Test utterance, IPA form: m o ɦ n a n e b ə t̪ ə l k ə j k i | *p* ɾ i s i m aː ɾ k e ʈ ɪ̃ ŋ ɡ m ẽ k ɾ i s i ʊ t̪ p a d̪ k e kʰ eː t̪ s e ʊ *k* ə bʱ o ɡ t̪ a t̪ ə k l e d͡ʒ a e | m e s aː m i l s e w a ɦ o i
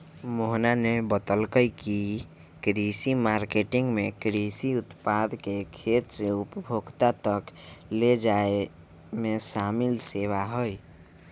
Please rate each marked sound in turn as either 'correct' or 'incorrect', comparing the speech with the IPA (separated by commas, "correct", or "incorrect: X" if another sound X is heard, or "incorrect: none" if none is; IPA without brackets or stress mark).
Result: incorrect: k, incorrect: p